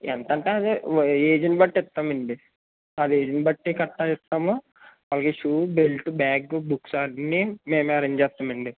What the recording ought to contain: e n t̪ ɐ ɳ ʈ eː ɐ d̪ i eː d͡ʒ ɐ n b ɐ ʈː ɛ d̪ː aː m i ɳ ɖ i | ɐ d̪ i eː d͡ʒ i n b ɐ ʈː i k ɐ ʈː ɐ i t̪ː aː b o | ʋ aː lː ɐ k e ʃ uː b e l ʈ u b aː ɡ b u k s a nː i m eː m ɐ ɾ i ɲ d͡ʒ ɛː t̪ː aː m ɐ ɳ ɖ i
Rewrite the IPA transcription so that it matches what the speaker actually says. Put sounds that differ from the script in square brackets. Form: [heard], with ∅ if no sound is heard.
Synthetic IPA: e n t̪ ɐ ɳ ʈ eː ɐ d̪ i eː d͡ʒ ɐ n b ɐ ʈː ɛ [t̪ː] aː m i ɳ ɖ i | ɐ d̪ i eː d͡ʒ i n b ɐ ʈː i k ɐ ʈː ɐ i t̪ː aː [m] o | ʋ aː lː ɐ k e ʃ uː b e l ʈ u b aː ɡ b u k s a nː i m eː m ɐ ɾ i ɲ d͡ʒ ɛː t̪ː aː m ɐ ɳ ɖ i